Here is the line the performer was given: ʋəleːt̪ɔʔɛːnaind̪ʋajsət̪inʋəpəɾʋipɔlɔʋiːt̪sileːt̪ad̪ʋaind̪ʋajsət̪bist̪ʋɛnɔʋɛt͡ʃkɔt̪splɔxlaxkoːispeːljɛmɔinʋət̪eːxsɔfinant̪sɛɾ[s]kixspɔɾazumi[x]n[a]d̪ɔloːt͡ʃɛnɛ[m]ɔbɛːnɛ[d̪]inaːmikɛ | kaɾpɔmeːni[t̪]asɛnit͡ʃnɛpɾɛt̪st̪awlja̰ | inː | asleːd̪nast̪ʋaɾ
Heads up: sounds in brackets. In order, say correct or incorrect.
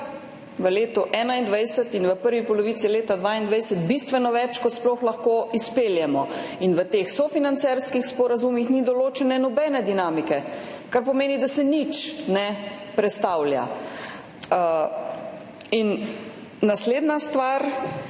correct, correct, incorrect: i, incorrect: n, correct, incorrect: d̪

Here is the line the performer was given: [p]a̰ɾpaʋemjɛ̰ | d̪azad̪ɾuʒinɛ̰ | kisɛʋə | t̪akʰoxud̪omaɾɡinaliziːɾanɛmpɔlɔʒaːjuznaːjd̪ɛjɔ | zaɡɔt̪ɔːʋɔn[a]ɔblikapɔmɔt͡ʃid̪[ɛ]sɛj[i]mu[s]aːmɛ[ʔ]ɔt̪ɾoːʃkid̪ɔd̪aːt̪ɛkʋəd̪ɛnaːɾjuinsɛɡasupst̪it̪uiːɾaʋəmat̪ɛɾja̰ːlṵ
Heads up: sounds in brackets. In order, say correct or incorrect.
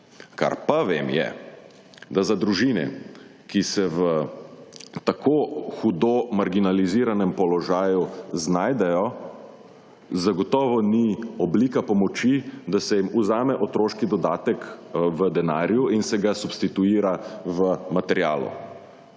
incorrect: k, incorrect: i, incorrect: a, correct, incorrect: z, correct

